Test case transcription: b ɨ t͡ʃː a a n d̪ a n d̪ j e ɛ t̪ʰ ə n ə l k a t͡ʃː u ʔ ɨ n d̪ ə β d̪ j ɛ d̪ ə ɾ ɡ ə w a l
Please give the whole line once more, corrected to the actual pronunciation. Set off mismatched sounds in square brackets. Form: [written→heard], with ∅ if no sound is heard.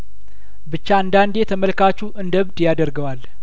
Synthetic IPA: b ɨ t͡ʃː a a n d̪ a n d̪ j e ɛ t̪ʰ ə [n→m] ə l k a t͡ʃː u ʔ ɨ n d̪ ə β d̪ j [ɛ→a] d̪ ə ɾ ɡ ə w a l